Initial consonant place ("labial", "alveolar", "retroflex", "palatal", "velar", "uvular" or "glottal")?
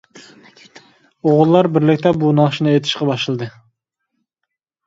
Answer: uvular